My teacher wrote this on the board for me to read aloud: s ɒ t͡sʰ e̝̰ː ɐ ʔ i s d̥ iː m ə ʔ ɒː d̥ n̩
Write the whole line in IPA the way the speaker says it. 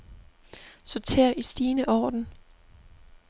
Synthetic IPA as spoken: s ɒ t͡sʰ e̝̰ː ɐ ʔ i s d̥ iː n ə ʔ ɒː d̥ n̩